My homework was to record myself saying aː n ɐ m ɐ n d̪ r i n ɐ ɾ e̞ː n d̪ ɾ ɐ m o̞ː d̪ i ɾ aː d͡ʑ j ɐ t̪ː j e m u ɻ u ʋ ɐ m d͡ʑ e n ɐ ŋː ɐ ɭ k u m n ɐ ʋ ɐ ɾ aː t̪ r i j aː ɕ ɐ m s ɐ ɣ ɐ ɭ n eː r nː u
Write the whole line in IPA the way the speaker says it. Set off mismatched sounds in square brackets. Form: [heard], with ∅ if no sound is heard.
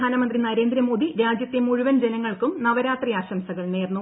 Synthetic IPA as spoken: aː n ɐ m ɐ n d̪ r i n ɐ ɾ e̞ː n d̪ ɾ ɐ m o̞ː d̪ i ɾ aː d͡ʑ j ɐ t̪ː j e m u ɻ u ʋ ɐ [n] d͡ʑ e n ɐ ŋː ɐ ɭ k u m n ɐ ʋ ɐ ɾ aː t̪ r i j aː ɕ ɐ m s ɐ ɣ ɐ ɭ n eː r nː u